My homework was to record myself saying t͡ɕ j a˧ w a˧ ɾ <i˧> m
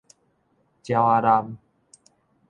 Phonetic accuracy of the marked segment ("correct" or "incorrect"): incorrect